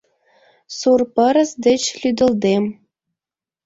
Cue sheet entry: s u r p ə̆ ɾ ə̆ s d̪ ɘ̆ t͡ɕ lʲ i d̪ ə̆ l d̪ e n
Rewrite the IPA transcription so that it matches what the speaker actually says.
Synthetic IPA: s u r p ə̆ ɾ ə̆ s d̪ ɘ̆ t͡ɕ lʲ y d̪ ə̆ l d̪ e m